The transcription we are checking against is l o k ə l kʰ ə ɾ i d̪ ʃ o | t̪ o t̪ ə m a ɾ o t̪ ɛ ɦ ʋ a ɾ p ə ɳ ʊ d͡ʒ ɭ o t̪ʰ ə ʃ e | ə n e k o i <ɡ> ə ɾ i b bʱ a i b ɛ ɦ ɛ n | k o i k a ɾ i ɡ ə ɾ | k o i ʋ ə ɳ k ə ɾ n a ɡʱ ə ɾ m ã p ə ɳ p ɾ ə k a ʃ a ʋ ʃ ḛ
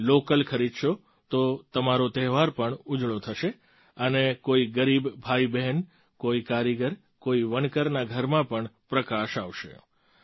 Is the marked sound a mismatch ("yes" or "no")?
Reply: no